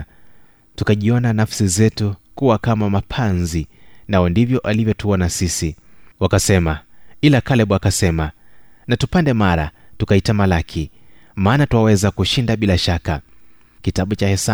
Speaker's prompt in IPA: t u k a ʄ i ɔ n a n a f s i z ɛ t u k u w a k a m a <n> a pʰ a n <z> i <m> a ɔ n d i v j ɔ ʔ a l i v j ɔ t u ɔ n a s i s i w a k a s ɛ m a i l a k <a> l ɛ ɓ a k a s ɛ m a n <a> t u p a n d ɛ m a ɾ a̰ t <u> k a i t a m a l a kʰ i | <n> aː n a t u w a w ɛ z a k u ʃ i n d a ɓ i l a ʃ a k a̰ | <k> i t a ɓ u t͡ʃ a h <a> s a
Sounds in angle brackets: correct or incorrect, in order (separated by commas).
incorrect, correct, incorrect, correct, correct, correct, incorrect, correct, incorrect